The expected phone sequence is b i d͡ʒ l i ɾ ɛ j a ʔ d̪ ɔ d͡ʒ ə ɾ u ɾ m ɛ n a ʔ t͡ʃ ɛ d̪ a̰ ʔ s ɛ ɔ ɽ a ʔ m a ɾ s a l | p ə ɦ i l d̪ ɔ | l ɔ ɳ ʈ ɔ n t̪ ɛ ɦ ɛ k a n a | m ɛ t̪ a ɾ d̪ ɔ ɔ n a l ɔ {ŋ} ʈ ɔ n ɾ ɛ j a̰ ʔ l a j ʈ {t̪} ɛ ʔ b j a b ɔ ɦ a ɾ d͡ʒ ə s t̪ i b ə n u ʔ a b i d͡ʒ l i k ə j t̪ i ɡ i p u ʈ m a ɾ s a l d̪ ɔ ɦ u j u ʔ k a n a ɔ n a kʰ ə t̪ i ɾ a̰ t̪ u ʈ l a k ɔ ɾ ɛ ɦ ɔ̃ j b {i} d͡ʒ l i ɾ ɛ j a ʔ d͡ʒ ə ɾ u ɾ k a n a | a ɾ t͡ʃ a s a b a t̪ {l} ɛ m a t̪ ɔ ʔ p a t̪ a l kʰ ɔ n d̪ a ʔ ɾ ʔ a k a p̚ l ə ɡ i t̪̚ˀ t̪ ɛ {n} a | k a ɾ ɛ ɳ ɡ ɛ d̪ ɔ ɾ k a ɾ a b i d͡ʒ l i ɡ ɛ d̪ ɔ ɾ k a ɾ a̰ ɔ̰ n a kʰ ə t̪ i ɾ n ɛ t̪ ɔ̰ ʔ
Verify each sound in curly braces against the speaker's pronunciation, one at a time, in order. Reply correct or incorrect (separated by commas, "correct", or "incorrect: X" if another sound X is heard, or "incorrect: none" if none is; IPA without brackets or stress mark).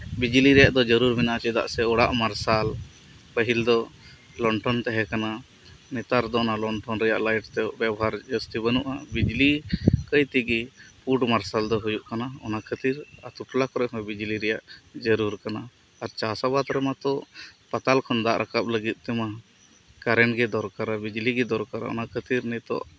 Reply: incorrect: ɳ, correct, correct, incorrect: ɾ, incorrect: m